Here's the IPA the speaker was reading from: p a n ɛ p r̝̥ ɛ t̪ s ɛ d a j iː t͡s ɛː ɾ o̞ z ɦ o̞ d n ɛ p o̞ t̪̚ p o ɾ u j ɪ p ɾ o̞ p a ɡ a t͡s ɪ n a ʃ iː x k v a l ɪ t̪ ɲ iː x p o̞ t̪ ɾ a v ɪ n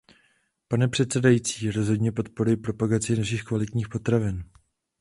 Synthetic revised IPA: p a n ɛ p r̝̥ ɛ t̪ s ɛ d a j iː t͡s iː ɾ o̞ z ɦ o̞ d ɲ ɛ p o̞ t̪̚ p o ɾ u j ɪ p ɾ o̞ p a ɡ a t͡s ɪ n a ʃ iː x k v a l ɪ t̪ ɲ iː x p o̞ t̪ ɾ a v ɪ n